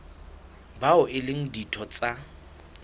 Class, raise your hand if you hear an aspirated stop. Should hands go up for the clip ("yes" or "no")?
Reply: yes